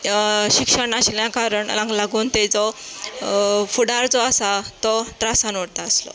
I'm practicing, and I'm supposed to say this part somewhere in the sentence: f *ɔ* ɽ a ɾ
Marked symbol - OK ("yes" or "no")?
no